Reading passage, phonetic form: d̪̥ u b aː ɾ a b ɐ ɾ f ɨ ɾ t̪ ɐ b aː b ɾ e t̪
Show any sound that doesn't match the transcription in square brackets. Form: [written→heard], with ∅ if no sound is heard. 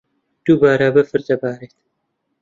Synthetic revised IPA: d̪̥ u b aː ɾ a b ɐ [ɾ→∅] f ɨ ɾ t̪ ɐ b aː [b→∅] ɾ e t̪